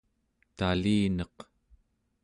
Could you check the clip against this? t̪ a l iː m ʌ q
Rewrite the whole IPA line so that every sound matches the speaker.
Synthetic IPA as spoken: t̪ a l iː n ʌ q